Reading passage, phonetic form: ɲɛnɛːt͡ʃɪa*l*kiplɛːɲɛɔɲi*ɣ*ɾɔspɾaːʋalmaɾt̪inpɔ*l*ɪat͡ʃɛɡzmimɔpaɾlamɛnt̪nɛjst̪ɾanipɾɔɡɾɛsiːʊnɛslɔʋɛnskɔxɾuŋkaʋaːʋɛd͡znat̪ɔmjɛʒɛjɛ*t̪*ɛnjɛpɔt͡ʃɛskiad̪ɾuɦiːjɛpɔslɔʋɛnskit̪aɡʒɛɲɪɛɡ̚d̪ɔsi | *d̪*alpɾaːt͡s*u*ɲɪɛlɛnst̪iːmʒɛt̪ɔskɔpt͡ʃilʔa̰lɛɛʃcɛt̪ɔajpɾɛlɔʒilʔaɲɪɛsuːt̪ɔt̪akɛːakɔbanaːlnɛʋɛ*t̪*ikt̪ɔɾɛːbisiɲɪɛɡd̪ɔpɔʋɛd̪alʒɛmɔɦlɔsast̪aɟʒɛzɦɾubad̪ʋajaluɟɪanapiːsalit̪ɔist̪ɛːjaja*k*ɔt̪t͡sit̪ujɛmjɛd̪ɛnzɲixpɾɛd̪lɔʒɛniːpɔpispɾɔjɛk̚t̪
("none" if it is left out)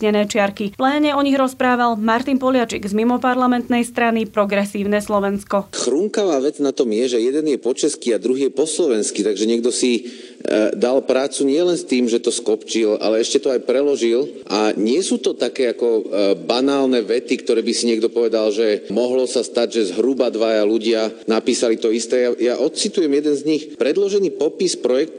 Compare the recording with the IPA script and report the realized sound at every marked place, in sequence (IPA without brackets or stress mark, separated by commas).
ɾ, ɣ, l, d̪, d̪, u, t̪, ʔ